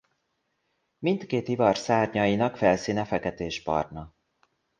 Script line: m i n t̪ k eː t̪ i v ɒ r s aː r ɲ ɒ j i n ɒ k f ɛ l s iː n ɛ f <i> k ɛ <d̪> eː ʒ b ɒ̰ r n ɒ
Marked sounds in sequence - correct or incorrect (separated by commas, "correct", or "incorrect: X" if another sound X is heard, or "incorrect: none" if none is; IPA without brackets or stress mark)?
incorrect: ɛ, incorrect: t̪